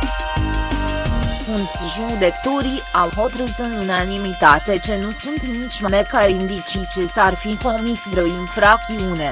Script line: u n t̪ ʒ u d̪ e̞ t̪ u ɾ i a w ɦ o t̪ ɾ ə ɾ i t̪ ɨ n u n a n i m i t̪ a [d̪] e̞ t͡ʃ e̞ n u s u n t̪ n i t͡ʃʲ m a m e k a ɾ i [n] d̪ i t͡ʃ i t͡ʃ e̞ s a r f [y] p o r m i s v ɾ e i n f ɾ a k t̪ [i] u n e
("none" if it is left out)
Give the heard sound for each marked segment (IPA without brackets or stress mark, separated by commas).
t̪, n, i, i